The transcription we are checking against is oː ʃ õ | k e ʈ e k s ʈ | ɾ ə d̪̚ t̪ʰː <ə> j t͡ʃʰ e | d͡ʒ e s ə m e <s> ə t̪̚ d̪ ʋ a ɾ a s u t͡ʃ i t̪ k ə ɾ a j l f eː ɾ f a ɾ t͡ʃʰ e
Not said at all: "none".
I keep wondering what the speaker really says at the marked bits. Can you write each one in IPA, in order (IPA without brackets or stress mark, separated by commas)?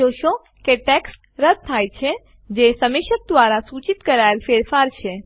a, ʃ